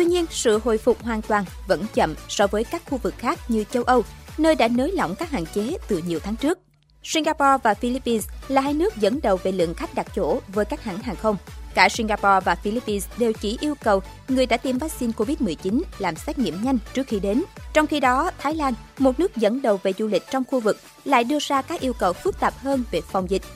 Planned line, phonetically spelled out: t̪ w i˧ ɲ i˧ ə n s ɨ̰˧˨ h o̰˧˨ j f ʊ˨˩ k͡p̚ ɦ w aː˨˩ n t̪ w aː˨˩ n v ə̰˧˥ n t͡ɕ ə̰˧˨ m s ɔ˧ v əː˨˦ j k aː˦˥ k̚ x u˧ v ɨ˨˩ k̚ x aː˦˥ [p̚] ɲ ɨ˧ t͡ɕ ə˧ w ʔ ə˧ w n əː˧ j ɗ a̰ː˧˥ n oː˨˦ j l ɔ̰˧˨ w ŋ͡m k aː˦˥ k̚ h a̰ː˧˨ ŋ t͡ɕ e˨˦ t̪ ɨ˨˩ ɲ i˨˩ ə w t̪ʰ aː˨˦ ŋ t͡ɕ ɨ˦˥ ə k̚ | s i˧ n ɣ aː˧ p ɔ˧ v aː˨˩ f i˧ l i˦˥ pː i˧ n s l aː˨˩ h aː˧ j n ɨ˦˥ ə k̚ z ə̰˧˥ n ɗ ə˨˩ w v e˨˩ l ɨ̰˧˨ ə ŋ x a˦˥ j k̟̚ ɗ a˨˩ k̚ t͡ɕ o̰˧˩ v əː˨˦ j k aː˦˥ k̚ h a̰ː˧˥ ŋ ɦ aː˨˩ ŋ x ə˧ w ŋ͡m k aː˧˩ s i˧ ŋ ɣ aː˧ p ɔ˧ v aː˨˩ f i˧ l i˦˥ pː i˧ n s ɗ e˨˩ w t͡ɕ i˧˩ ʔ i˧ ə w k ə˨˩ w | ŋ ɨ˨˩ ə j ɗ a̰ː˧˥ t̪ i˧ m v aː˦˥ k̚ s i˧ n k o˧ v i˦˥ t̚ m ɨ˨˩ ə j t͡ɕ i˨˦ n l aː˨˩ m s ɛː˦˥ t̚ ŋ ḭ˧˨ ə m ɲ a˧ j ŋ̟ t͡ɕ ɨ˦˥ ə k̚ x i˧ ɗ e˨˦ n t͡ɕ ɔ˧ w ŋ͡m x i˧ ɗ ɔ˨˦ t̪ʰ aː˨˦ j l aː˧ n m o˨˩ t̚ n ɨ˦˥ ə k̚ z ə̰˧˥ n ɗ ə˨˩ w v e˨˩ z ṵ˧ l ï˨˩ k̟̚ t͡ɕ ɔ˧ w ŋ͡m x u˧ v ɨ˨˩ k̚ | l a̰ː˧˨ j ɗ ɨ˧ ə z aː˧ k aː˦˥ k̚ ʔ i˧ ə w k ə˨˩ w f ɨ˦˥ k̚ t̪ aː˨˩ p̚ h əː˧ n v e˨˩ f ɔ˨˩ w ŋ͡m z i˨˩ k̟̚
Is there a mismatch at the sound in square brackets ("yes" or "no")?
yes